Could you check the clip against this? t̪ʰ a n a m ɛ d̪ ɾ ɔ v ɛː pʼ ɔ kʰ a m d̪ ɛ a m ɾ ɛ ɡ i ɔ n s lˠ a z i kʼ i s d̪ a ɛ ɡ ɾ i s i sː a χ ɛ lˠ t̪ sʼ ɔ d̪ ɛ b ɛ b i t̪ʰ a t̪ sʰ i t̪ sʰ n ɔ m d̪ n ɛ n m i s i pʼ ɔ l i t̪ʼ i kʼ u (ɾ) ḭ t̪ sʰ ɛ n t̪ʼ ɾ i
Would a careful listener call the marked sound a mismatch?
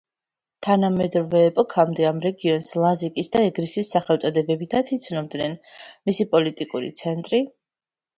no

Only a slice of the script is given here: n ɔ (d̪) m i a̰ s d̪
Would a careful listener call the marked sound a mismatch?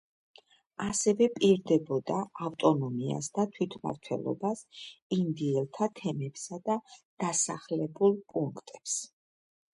yes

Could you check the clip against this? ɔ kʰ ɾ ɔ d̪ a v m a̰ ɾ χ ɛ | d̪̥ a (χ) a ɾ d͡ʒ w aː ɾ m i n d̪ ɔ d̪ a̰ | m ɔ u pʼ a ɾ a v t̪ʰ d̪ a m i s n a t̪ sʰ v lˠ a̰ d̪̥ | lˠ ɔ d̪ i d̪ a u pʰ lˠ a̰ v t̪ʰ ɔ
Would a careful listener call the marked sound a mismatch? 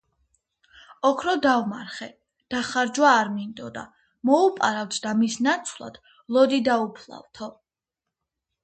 no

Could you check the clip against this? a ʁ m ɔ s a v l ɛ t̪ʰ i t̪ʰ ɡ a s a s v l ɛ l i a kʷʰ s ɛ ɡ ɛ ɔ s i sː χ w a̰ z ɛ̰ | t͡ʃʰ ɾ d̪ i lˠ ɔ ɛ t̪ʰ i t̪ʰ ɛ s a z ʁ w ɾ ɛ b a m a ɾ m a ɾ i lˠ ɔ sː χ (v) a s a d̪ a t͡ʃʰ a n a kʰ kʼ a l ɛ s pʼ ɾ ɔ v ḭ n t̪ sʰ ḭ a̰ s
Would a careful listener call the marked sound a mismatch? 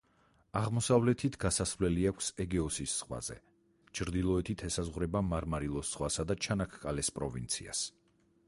yes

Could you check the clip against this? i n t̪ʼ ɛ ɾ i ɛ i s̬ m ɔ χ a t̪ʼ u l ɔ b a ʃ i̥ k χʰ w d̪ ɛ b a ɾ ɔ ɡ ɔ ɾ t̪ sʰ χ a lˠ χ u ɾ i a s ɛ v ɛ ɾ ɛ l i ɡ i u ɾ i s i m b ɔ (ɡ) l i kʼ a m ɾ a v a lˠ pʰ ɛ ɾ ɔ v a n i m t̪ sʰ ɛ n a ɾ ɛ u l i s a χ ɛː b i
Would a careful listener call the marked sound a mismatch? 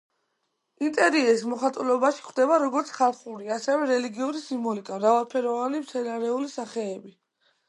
yes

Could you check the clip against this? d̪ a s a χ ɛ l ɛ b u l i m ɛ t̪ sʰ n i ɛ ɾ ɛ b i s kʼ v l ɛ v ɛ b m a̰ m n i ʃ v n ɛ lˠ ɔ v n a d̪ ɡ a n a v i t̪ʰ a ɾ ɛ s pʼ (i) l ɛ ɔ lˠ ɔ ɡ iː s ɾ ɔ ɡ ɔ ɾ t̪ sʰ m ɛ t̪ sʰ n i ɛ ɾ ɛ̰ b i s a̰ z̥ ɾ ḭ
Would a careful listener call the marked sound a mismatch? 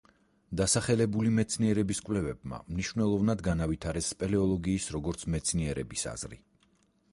yes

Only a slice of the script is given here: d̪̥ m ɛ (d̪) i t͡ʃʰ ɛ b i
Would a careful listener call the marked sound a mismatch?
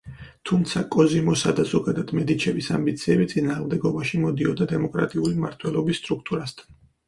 no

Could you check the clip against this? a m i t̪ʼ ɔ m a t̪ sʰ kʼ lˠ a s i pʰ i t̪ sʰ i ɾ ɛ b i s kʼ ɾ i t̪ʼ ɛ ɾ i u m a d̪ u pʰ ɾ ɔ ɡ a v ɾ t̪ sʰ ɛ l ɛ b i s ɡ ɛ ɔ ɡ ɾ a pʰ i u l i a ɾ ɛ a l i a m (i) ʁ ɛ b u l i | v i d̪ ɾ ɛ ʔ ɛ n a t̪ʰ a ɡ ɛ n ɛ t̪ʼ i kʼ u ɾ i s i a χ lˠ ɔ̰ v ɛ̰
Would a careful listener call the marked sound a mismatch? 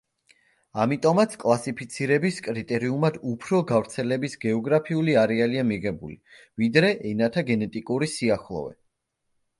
no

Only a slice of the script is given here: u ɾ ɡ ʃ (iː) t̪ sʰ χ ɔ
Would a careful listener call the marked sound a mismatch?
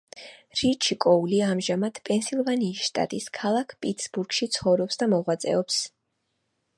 yes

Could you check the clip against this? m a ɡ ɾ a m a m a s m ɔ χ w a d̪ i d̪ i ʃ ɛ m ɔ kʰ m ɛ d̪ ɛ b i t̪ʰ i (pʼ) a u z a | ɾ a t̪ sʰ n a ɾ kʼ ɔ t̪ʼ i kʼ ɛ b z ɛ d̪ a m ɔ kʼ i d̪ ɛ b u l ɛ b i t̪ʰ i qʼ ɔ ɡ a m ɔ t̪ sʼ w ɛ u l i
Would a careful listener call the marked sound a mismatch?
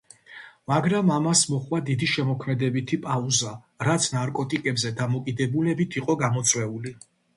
no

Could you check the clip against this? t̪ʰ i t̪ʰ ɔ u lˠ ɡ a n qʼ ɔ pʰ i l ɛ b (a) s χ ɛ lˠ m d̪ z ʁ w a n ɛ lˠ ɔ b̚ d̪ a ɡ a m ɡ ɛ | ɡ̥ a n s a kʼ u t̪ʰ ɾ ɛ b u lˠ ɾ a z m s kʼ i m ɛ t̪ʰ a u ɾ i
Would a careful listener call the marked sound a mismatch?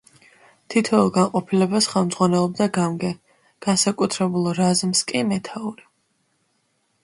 no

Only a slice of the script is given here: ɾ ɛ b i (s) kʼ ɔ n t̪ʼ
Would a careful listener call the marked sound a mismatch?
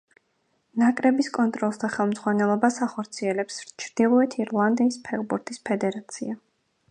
no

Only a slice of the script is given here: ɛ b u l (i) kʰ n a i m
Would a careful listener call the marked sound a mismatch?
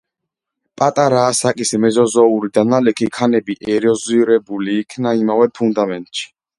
yes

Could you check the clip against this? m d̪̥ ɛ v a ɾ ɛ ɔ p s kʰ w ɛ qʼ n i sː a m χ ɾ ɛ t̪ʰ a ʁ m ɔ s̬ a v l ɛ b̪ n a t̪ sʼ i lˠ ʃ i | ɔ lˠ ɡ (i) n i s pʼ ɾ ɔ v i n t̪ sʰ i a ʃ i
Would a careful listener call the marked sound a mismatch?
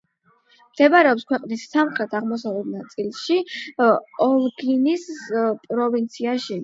no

